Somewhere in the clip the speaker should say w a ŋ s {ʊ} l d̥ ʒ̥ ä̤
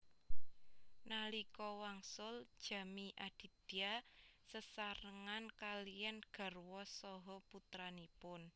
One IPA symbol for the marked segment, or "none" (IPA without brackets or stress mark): ʊ